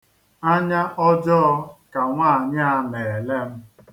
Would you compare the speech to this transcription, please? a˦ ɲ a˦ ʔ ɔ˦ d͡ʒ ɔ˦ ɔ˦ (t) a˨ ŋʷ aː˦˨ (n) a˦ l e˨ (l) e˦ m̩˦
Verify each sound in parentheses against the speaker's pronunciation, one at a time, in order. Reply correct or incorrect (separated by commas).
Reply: incorrect, incorrect, correct